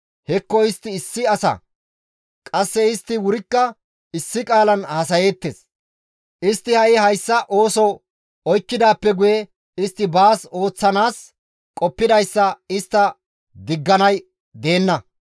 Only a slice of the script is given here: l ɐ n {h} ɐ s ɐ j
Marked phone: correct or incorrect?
correct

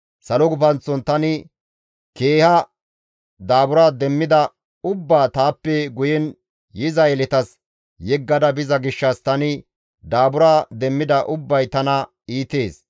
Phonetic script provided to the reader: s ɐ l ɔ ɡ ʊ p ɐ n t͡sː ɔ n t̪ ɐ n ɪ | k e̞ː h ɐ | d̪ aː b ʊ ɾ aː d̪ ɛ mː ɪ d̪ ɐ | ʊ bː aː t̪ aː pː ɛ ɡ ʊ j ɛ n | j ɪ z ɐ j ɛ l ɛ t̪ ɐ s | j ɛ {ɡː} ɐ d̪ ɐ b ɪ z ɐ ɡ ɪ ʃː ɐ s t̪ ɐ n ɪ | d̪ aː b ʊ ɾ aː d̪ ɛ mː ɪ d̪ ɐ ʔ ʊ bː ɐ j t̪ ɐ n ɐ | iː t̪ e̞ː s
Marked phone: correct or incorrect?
correct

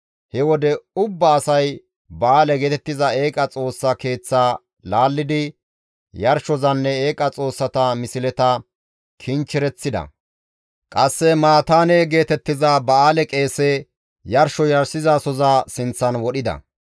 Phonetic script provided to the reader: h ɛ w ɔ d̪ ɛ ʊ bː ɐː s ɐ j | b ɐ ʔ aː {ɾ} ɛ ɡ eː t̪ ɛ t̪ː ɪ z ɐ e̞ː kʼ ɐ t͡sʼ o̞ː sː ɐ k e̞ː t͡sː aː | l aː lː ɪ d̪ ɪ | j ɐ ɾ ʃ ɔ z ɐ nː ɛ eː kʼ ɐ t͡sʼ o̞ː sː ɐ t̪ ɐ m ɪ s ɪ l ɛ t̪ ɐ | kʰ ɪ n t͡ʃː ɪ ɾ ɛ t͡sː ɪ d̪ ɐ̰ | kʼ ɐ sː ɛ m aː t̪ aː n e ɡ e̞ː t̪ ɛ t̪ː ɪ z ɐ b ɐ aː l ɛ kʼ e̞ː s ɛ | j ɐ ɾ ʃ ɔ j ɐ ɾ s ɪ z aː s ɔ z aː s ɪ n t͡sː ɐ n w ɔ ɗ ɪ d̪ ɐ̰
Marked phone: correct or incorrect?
incorrect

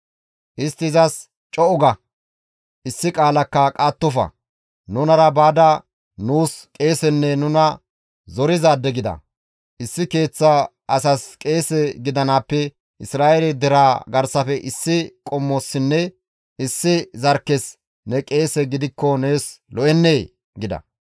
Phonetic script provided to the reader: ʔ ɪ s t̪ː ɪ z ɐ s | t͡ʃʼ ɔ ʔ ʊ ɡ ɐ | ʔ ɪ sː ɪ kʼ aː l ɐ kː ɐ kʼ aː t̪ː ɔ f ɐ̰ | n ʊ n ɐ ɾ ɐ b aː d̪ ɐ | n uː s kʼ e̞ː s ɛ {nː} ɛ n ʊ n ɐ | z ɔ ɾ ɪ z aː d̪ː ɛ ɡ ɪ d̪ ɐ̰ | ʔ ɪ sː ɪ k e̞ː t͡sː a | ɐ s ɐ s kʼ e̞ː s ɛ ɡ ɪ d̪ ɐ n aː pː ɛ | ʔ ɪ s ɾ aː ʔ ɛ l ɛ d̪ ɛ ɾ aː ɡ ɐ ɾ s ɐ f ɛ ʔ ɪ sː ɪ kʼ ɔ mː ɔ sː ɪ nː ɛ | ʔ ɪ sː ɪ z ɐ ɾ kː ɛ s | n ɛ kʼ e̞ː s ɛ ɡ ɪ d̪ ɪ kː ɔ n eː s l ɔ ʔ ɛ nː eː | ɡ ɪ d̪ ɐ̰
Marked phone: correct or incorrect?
correct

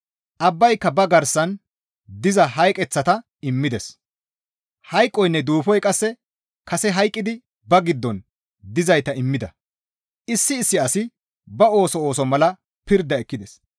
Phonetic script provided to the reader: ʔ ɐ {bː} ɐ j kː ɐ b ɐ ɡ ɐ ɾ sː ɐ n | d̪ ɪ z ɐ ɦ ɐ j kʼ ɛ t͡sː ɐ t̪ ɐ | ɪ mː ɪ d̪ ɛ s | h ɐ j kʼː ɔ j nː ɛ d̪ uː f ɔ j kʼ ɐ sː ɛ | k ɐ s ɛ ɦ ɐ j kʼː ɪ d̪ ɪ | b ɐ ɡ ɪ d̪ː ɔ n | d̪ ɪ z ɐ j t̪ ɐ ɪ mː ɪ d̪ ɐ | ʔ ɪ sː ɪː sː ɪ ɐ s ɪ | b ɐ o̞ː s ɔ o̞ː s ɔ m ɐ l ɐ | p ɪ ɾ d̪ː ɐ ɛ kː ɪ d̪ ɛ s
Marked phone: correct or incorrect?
correct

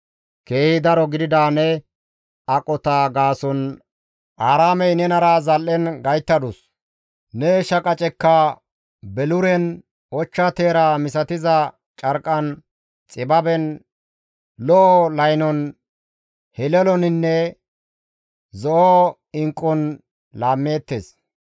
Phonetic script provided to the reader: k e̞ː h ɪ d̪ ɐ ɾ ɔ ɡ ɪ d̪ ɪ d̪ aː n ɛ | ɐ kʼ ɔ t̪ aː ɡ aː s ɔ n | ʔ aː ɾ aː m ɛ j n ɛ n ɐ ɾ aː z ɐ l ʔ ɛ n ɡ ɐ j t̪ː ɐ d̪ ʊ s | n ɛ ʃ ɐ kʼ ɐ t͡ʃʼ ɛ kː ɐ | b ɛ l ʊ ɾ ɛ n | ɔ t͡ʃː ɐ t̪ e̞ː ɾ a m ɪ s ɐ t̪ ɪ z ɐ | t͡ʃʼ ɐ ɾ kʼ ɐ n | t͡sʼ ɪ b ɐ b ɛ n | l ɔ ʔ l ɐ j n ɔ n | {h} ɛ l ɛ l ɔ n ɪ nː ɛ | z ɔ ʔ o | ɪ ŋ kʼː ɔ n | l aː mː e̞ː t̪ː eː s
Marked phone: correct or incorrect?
correct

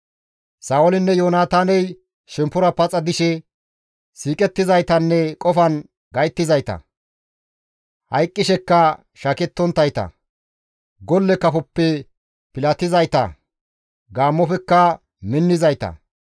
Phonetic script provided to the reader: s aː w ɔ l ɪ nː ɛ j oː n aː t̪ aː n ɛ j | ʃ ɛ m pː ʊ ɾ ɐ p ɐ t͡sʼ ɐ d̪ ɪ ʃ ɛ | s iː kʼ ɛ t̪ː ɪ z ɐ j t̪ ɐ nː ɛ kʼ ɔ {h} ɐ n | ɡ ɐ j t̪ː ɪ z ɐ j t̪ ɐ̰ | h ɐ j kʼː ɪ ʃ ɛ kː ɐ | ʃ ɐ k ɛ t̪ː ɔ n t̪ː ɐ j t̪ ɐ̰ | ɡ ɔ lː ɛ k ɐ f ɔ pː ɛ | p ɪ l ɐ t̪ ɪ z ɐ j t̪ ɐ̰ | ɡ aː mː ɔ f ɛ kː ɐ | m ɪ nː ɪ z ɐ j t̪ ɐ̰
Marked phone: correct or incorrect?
incorrect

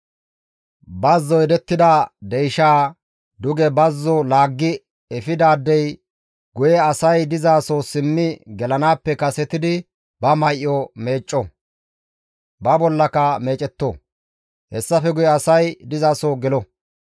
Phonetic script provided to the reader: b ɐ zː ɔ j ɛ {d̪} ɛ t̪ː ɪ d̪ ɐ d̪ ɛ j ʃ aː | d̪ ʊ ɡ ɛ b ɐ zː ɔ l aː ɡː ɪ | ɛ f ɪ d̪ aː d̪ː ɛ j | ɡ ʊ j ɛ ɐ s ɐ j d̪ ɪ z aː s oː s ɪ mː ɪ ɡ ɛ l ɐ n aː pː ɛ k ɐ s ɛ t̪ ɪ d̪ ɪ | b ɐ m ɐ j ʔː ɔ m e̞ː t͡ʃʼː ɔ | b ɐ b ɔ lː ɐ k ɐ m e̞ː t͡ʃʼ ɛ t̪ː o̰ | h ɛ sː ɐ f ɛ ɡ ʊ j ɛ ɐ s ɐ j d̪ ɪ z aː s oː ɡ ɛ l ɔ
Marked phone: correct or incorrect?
correct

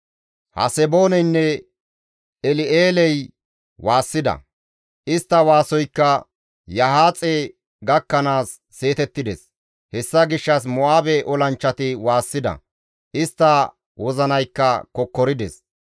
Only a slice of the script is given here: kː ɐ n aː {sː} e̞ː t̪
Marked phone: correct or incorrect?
correct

